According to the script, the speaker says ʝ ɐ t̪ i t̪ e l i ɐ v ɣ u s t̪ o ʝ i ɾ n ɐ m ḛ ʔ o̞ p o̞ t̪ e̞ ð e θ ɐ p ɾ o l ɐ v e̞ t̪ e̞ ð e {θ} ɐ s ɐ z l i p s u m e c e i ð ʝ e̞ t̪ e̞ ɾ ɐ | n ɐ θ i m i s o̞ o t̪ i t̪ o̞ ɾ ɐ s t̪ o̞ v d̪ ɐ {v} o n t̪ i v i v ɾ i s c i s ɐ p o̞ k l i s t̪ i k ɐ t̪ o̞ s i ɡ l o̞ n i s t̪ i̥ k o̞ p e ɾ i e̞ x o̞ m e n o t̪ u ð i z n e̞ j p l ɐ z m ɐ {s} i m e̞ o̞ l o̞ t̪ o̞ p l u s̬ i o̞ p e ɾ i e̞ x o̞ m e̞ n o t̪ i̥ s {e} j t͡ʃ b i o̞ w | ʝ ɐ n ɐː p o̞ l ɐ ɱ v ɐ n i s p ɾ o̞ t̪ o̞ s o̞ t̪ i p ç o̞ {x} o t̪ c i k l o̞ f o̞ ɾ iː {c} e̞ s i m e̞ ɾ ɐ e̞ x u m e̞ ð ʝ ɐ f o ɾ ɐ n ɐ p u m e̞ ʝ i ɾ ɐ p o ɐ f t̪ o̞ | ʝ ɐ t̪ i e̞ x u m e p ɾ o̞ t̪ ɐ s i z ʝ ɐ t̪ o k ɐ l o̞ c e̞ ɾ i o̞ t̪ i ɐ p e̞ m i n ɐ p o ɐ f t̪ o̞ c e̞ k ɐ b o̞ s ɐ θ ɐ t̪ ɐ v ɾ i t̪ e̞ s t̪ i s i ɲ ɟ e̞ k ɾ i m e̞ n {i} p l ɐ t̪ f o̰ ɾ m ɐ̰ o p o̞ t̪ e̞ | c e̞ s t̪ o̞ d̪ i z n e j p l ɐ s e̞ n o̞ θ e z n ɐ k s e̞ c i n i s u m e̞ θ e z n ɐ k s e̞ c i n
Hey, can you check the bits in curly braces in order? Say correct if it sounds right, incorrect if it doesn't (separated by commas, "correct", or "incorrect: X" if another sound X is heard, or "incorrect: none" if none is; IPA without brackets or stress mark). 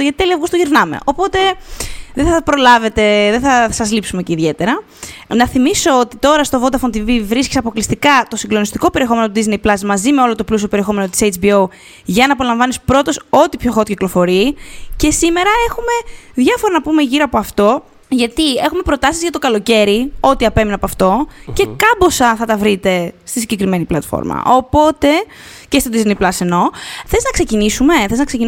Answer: correct, incorrect: f, incorrect: z, correct, correct, correct, correct